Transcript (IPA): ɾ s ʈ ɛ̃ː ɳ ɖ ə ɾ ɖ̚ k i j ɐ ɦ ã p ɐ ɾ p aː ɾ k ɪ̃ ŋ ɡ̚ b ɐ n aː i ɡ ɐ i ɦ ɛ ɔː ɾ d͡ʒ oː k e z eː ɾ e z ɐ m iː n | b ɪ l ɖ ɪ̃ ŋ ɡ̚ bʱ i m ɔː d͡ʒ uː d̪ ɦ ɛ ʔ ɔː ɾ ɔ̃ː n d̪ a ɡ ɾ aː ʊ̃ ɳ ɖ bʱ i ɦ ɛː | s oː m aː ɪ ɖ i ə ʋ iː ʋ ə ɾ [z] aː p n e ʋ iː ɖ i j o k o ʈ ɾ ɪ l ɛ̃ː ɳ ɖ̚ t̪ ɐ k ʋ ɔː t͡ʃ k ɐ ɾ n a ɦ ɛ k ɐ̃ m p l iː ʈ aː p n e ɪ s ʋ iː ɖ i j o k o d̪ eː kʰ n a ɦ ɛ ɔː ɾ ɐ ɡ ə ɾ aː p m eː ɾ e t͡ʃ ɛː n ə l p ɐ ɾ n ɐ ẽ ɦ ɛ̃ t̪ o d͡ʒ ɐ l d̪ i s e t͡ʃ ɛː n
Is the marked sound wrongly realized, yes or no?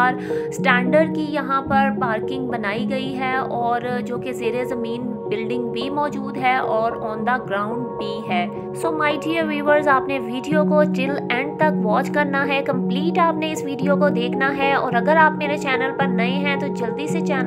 no